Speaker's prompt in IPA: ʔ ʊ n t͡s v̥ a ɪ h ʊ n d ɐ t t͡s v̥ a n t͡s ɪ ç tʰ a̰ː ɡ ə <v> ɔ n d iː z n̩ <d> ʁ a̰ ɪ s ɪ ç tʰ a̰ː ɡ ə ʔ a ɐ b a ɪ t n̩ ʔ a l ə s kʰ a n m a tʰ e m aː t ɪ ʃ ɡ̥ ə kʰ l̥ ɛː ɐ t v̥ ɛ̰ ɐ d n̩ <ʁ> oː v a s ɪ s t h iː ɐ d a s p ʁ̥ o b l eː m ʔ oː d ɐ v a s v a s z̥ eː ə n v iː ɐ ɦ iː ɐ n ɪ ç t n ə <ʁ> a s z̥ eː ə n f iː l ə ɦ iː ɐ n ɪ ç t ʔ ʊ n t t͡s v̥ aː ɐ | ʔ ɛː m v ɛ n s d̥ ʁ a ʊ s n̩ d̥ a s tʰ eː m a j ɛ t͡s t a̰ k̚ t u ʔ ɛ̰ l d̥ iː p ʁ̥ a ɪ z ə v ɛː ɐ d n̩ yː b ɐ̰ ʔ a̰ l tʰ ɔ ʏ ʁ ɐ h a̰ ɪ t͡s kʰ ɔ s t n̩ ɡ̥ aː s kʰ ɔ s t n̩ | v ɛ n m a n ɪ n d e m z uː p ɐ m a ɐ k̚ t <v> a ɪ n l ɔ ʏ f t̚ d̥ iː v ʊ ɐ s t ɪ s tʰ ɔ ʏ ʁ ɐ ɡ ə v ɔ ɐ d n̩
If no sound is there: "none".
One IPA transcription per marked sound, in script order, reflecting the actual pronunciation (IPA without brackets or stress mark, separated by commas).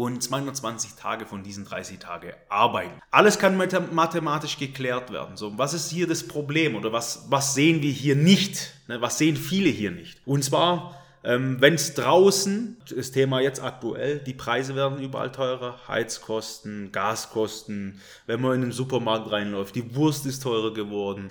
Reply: f, d, z, v, ʁ